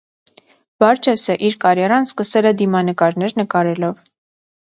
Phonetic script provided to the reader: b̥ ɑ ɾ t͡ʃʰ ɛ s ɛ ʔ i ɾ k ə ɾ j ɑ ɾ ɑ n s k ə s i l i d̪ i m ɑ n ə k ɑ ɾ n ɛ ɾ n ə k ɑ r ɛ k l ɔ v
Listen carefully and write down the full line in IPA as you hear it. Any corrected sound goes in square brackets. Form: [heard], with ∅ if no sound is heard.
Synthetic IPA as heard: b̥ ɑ ɾ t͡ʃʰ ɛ s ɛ ʔ i ɾ k [ɑ] ɾ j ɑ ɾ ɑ n s k ə s [ɛ] l [ɛ] d̪ i m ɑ n ə k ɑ ɾ n ɛ ɾ n ə k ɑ [ɾ] ɛ [∅] l ɔ v